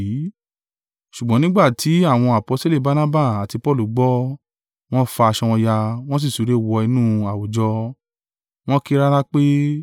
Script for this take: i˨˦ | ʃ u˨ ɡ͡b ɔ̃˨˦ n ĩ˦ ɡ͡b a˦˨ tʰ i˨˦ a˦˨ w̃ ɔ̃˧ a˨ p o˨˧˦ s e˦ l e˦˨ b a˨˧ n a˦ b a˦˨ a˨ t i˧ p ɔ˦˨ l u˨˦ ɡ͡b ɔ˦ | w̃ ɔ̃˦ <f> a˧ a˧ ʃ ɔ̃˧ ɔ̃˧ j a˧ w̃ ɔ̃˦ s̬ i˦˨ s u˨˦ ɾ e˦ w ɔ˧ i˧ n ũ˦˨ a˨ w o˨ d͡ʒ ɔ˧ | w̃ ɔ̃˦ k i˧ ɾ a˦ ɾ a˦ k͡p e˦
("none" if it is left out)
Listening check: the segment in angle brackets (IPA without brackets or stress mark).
f